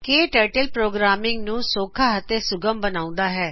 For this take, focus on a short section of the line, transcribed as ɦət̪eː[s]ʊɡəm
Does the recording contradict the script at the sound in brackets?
no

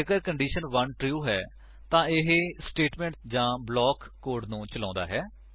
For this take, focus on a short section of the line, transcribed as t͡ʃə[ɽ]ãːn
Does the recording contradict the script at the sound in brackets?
yes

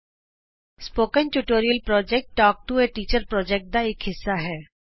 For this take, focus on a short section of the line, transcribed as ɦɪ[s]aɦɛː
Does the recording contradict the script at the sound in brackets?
yes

